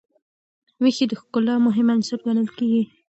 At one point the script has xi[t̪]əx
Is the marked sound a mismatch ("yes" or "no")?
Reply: yes